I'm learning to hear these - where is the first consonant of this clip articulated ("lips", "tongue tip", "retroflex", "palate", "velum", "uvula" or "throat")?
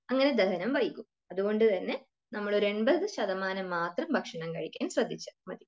velum